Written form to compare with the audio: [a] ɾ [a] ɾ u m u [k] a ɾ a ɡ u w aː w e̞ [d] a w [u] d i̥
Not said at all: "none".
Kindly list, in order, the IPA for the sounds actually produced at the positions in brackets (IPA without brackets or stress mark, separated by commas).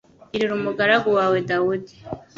i, i, ɡ, d, u